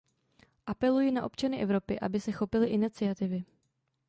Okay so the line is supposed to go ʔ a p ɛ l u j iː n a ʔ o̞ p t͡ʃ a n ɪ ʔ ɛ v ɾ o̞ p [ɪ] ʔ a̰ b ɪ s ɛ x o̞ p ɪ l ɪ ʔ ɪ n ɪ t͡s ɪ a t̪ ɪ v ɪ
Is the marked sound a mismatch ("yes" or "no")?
no